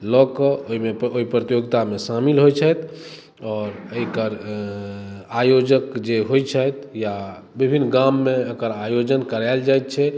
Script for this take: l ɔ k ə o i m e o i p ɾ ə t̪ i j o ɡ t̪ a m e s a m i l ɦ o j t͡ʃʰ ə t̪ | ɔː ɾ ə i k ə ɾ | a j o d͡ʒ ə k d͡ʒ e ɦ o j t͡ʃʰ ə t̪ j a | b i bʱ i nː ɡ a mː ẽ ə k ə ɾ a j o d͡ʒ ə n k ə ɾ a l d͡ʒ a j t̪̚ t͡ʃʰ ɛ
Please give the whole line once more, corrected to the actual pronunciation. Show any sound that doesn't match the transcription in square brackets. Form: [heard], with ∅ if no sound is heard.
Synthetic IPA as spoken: l ɔ k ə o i m e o i p ɾ ə t̪ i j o ɡ t̪ a m e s a m i l ɦ o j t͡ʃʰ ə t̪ | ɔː ɾ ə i k ə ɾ | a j o d͡ʒ ə k d͡ʒ e ɦ o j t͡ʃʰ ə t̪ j a | b i bʱ i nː ɡ a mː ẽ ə k ə ɾ a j o d͡ʒ ə n k ə ɾ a l d͡ʒ a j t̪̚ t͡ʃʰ ɛ